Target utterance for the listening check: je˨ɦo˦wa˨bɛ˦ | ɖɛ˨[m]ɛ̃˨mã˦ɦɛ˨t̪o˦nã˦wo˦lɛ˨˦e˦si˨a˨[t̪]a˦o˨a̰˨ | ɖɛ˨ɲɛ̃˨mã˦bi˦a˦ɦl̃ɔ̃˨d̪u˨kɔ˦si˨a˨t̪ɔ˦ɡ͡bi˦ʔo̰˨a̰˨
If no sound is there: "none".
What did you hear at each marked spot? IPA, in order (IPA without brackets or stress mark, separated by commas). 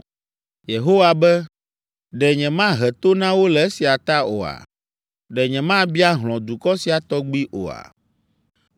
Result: ɲ, t̪